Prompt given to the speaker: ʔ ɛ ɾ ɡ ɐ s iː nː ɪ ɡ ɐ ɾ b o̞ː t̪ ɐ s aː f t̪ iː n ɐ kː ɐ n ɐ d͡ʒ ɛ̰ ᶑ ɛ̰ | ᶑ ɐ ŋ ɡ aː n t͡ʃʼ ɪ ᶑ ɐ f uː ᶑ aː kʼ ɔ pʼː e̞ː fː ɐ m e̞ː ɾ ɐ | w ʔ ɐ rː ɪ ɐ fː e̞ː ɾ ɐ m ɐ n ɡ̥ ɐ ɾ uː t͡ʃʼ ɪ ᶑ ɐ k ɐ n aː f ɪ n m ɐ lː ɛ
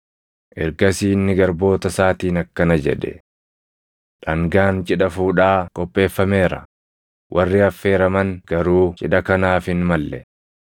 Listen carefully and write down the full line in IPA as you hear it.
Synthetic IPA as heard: ʔ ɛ ɾ ɡ ɐ s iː nː ɪ ɡ ɐ ɾ b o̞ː t̪ ɐ s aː t̪ iː n ɐ kː ɐ n ɐ d͡ʒ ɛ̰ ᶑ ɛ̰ | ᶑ ɐ ŋ ɡ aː n t͡ʃʼ ɪ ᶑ ɐ f uː ᶑ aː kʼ ɔ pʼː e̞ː fː ɐ m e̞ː ɾ ɐ | w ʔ ɐ rː ɪ ɐ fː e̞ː ɾ ɐ m ɐ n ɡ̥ ɐ ɾ uː t͡ʃʼ ɪ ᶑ ɐ k ɐ n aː f ɪ n m ɐ lː ɛ